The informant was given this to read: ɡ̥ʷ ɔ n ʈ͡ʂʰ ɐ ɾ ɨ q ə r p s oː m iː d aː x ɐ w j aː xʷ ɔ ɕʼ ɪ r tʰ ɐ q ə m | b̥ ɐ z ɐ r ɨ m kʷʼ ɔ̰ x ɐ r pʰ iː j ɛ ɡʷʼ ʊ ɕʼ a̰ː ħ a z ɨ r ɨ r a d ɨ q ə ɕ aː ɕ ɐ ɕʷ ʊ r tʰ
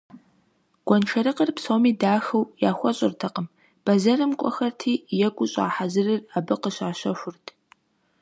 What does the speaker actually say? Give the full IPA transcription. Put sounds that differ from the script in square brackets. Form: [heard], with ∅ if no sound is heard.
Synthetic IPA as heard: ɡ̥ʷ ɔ n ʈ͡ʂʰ ɐ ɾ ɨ q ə r p s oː m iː d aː x ɐ w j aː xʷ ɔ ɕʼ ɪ r tʰ ɐ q ə m | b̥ ɐ z ɐ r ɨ m kʷʼ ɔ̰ x ɐ r [tʰ] iː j ɛ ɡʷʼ ʊ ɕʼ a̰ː ħ a z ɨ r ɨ r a [b] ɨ q ə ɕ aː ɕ ɐ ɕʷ ʊ r tʰ